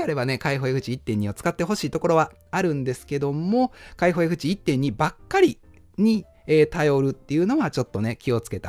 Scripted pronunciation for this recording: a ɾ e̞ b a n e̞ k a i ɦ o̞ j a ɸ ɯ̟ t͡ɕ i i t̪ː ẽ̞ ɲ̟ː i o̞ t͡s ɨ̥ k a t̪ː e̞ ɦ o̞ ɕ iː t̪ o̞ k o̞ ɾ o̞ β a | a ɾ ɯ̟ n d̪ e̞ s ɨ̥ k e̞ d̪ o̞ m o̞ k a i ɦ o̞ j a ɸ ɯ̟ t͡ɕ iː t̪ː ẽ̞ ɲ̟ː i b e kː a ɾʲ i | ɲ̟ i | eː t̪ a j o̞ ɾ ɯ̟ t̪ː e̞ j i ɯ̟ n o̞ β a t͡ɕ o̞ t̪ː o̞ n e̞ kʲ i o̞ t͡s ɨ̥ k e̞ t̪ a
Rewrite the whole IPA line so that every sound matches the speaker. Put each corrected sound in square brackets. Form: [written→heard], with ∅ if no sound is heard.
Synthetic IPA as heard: a ɾ e̞ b a n e̞ k a i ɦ o̞ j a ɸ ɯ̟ t͡ɕ i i t̪ː ẽ̞ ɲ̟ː i o̞ t͡s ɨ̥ k a t̪ː e̞ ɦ o̞ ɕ iː t̪ o̞ k o̞ ɾ o̞ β a | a ɾ [ɯ̟→ɯ̟̃] n d̪ e̞ s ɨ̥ k e̞ d̪ o̞ m o̞ k a i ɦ o̞ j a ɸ ɯ̟ t͡ɕ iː t̪ː ẽ̞ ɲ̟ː i b [e→a] kː a ɾʲ i | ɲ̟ i | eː t̪ a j o̞ ɾ ɯ̟ t̪ː e̞ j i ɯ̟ n o̞ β a t͡ɕ o̞ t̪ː o̞ n e̞ kʲ i o̞ t͡s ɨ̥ k e̞ t̪ a